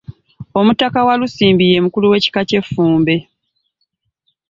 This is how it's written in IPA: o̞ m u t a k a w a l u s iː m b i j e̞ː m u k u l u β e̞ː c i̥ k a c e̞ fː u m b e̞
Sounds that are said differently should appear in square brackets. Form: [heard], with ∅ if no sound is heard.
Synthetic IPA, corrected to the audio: o̞ m u t a k a w a l u s iː m b i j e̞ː m u k u l u [w] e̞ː c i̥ k a c e̞ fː [uː] m b e̞